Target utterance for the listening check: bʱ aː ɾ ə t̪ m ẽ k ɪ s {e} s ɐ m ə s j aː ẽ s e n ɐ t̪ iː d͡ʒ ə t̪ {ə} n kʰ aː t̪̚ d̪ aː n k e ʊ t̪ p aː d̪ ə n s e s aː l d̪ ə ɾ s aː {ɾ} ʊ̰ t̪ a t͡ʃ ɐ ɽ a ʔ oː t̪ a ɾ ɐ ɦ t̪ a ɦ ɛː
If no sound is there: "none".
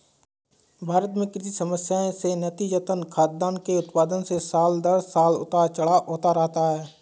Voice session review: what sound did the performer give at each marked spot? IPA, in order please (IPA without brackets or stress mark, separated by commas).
i, ə, l